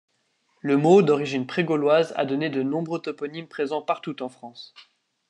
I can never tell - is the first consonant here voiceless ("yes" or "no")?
no